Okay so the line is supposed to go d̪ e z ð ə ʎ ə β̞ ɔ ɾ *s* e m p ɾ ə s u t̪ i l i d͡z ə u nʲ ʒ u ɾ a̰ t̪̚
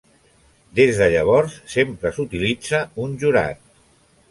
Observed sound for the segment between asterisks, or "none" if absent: sː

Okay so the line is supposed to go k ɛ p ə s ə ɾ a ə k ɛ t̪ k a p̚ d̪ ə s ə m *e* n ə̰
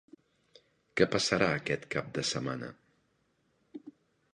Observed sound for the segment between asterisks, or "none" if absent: a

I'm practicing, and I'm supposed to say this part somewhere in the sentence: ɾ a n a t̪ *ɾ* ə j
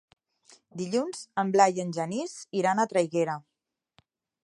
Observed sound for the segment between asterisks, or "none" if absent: ɾ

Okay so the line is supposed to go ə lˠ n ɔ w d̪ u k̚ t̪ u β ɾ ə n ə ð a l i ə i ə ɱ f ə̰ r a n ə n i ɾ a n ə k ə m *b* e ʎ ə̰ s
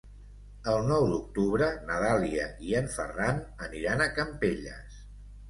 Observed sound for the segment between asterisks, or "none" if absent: p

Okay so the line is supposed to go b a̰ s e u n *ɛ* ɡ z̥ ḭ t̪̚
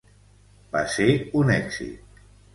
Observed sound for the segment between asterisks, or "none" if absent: ɛ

